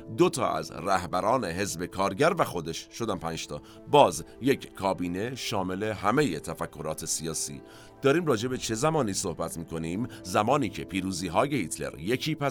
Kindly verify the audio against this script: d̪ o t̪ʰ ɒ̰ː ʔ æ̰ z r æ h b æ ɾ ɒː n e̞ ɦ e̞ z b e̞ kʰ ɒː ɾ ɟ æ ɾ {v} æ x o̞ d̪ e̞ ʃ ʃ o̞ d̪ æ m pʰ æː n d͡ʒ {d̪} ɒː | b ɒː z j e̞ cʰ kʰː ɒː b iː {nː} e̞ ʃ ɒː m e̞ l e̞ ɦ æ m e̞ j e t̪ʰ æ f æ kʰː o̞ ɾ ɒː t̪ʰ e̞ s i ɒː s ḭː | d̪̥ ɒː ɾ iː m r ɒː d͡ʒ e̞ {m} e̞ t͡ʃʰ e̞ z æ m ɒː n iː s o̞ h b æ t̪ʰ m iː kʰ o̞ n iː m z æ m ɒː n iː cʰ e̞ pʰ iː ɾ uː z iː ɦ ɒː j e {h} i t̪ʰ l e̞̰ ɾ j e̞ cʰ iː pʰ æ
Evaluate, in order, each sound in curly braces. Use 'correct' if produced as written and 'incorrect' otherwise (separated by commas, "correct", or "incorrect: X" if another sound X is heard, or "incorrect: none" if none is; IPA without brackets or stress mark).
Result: correct, incorrect: t̪, incorrect: n, incorrect: b, correct